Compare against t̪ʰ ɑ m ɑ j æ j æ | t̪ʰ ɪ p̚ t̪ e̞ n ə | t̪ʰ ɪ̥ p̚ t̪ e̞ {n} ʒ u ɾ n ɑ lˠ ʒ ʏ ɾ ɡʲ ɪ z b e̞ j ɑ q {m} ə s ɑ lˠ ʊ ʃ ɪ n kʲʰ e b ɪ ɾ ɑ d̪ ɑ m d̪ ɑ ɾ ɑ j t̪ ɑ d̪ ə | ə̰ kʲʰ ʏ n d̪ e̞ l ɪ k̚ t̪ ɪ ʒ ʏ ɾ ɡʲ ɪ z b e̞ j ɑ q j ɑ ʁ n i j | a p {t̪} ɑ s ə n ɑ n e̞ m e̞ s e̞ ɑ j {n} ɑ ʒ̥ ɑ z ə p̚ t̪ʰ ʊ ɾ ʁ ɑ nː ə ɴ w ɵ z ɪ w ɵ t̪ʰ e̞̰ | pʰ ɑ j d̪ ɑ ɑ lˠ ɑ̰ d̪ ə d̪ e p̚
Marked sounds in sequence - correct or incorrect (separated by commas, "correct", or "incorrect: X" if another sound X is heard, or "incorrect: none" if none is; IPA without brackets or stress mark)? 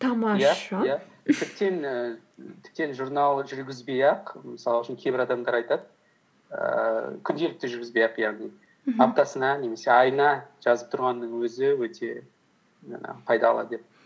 correct, correct, correct, correct